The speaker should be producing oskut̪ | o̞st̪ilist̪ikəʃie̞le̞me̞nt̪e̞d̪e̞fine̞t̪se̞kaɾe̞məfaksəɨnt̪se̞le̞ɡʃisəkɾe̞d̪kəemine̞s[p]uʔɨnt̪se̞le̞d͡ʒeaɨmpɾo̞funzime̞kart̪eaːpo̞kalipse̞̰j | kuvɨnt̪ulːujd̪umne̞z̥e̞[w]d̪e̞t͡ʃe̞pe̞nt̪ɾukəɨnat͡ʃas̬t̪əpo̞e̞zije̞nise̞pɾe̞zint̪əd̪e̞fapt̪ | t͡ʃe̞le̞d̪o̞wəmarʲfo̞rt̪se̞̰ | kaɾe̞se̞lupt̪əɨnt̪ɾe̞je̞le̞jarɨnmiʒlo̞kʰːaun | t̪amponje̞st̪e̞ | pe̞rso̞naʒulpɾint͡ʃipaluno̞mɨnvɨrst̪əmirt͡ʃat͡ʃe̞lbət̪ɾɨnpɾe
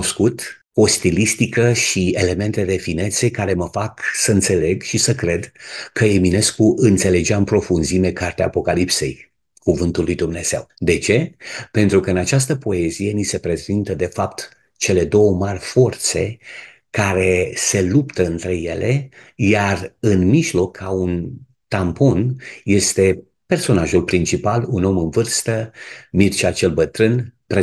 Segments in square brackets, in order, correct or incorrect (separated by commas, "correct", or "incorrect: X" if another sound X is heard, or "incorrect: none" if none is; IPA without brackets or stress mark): incorrect: k, correct